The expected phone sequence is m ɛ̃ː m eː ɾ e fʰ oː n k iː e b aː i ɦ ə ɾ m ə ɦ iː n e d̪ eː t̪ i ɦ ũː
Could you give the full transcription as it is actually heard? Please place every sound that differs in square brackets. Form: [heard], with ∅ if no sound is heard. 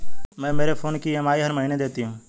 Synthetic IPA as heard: m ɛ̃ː m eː ɾ e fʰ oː n k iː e [m] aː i ɦ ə ɾ m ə ɦ iː n e d̪ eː t̪ i ɦ ũː